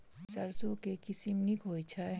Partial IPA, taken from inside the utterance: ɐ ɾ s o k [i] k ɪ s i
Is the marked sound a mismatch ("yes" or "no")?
yes